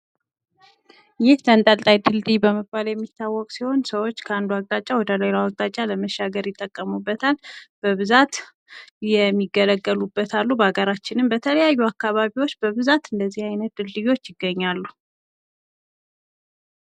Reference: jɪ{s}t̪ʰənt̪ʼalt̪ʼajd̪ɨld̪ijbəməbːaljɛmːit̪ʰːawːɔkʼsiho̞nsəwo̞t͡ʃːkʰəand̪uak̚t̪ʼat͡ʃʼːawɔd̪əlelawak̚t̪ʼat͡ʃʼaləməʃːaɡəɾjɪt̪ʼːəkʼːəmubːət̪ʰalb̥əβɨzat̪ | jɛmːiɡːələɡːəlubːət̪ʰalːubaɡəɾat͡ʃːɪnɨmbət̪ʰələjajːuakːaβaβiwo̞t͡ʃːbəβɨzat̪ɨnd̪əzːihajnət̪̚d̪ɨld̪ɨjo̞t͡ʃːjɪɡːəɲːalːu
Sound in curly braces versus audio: incorrect: h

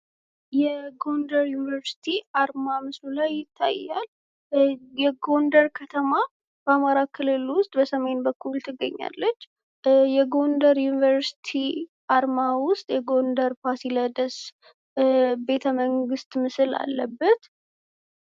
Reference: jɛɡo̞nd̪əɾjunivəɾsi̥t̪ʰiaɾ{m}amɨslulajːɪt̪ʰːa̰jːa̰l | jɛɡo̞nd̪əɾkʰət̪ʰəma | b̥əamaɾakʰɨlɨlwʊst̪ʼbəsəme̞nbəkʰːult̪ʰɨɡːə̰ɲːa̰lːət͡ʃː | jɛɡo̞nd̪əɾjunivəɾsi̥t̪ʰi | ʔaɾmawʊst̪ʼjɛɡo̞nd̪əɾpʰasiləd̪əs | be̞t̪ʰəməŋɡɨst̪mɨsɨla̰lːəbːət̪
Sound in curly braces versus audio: correct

